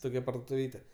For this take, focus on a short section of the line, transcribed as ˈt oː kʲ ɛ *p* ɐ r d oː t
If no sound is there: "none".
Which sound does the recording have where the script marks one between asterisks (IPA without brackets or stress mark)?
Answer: p